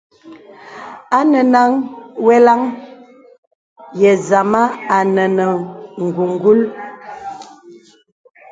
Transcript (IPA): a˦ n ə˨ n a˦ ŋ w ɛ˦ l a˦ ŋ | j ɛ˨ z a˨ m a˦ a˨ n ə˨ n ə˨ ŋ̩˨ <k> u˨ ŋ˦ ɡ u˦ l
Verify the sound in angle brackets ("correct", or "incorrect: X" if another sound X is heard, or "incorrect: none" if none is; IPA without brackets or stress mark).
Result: incorrect: ɡ